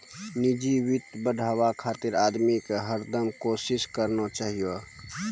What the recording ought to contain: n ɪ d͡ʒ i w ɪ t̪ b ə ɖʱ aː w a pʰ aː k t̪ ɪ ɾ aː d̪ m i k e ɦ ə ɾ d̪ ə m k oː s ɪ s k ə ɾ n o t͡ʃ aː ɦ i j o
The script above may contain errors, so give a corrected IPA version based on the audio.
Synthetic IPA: n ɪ d͡ʒ i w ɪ t̪ b ə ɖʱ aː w a kʰ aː t̪ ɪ ɾ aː d̪ m i k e ɦ ə ɾ d̪ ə m k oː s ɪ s k ə ɾ n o t͡ʃ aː ɦ i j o